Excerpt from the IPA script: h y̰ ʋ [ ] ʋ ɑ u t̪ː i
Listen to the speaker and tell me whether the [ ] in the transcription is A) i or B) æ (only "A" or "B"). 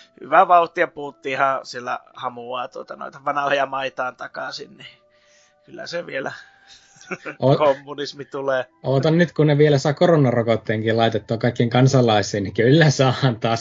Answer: B